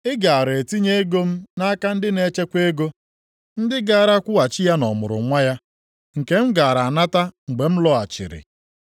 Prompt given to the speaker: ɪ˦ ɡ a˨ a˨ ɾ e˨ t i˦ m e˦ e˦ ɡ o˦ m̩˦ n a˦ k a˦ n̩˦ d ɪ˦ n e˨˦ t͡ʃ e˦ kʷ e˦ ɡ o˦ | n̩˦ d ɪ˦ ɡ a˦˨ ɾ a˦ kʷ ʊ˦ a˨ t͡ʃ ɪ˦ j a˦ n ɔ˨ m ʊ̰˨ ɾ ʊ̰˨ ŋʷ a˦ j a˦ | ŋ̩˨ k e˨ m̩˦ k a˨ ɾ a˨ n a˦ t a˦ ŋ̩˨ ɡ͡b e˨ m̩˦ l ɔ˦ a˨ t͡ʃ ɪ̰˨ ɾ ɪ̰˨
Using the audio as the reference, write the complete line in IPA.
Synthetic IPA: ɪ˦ ɡ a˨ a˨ ɾ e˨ t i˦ ɲ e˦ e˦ ɡ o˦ m̩˦ n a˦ k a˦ n̩˦ d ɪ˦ n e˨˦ t͡ʃ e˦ kʷ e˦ ɡ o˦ | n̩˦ d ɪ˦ ɡ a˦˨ ɾ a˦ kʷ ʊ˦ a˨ t͡ʃ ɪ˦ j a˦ n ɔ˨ m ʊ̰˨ ɾ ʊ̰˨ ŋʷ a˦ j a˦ | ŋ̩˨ k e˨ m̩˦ ɡ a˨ ɾ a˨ n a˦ t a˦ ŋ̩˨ ɡ͡b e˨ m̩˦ l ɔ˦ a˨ t͡ʃ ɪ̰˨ ɾ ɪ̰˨